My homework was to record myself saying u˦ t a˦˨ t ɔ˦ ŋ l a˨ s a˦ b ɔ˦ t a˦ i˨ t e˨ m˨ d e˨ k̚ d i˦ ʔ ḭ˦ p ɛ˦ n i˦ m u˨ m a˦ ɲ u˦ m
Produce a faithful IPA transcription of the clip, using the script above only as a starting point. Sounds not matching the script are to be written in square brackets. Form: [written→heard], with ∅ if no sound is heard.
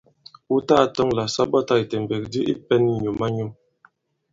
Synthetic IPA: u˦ t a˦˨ t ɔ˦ ŋ l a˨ s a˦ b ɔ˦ t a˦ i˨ t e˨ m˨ [d→b] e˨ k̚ d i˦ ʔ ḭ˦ p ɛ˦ n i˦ [m→ɲ] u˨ m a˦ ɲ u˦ m